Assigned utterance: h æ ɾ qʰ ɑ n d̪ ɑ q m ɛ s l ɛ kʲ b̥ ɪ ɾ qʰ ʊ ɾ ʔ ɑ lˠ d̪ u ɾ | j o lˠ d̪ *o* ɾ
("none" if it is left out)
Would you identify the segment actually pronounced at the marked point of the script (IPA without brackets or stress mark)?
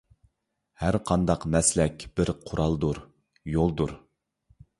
u